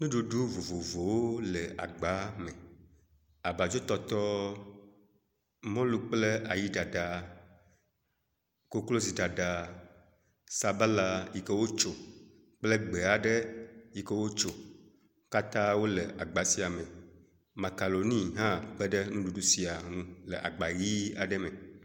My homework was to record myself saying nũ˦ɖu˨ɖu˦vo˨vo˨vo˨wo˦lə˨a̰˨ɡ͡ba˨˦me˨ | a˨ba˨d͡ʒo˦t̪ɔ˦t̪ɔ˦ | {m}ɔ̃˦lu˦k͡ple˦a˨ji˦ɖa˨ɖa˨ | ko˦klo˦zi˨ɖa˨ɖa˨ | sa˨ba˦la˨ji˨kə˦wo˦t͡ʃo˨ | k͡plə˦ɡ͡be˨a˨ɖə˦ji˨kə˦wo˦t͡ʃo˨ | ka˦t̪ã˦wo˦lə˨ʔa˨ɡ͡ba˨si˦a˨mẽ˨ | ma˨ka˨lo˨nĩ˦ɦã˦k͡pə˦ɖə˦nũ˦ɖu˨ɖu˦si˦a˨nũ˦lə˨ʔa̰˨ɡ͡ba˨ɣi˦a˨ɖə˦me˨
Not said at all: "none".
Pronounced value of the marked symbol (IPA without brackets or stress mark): m